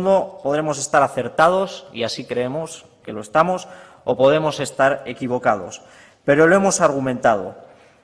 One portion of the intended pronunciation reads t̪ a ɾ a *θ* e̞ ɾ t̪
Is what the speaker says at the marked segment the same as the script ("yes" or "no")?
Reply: yes